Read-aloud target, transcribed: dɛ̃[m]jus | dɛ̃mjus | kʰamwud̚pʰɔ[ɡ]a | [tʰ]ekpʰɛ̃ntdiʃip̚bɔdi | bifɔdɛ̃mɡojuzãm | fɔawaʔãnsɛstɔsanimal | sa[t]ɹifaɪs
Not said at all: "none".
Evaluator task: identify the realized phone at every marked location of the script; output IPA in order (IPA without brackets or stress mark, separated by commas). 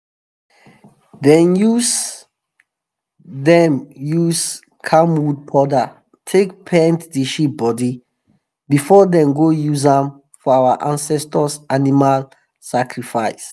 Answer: n, d, tʰ, k